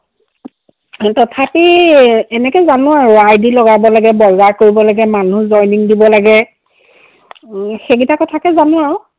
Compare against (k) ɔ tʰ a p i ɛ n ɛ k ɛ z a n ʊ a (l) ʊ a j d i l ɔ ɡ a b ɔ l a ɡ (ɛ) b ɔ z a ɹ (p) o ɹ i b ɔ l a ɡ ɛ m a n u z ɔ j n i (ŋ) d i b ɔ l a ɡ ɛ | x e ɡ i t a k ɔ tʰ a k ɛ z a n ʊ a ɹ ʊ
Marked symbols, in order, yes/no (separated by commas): no, no, yes, no, yes